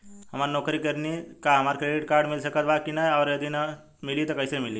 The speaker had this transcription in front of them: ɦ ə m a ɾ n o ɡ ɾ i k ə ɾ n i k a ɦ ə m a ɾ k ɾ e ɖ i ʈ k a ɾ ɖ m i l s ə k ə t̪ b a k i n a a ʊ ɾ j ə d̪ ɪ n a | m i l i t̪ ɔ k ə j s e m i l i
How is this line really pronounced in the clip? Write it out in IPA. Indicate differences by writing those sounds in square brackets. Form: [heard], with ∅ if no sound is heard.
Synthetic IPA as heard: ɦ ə m a ɾ n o [k] ɾ i k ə ɾ n i k a ɦ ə m a ɾ k ɾ e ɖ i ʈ k a ɾ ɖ m i l s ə k ə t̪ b a k i n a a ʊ ɾ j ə d̪ [i] n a | m i l i t̪ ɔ k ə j s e m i l i